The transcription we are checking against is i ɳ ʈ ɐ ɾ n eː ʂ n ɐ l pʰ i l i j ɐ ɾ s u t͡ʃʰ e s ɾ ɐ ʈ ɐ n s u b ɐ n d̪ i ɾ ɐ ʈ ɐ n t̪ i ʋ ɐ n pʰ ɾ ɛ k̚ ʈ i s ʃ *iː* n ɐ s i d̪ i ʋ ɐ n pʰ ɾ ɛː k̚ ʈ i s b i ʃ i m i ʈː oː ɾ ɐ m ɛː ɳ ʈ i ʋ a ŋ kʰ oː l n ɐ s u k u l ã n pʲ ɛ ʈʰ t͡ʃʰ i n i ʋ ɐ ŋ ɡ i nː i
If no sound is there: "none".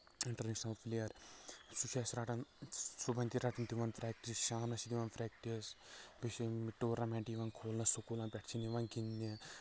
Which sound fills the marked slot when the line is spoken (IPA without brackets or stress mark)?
aː